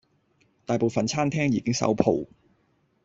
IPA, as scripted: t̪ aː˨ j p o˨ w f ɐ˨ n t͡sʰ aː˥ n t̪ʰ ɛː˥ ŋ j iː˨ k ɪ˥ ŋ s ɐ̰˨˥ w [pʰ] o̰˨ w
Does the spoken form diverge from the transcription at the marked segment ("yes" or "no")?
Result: no